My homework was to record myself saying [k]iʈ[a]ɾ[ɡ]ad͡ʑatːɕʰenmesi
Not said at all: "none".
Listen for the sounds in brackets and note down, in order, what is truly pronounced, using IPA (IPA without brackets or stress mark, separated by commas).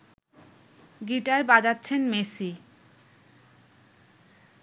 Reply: ɡ, a, b